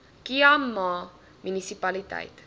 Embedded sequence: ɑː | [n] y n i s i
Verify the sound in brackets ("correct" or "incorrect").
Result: incorrect